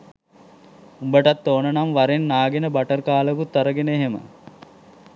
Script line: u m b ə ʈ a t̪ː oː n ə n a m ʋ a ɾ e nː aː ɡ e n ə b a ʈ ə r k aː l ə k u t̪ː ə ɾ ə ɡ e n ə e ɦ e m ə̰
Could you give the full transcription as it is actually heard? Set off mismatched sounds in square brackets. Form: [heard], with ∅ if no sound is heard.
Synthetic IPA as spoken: u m b ə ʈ a t̪ː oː n ə n a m ʋ a ɾ e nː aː ɡ e n ə b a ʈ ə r k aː l ə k u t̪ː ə ɾ ə ɡ e n ə e ɦ e m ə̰